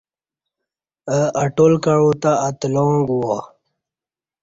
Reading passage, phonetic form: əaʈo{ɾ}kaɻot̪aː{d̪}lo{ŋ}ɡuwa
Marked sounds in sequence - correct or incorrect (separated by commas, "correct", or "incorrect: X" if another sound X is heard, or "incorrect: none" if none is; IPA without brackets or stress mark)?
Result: incorrect: l, incorrect: t̪, correct